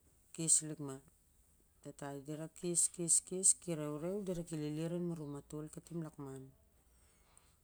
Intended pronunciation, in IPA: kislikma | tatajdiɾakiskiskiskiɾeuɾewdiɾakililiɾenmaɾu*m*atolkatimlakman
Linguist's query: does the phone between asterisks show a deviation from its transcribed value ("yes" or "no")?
no